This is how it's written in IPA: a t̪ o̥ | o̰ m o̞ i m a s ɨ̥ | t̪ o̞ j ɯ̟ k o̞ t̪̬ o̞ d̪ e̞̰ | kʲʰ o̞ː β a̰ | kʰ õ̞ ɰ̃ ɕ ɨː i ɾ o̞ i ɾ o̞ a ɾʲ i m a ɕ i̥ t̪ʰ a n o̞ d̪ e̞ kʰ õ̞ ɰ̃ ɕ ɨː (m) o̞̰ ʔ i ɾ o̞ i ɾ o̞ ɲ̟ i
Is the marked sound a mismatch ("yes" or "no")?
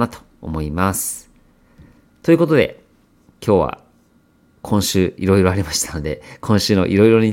yes